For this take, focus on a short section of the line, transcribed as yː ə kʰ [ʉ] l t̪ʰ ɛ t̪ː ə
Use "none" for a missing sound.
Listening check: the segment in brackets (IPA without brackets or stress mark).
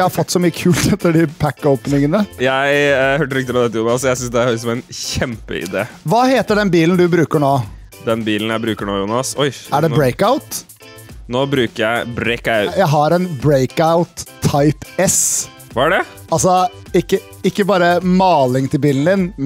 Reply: ʉː